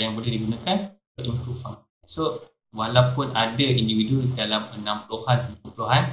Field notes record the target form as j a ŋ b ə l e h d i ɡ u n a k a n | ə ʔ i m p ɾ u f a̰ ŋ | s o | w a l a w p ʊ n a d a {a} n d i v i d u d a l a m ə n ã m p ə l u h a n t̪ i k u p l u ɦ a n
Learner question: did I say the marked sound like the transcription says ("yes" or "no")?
no